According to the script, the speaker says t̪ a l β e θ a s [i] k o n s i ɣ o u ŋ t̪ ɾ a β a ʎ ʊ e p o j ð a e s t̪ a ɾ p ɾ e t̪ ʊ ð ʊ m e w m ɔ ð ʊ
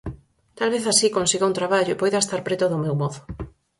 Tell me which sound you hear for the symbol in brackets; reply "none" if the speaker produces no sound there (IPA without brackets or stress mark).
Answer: i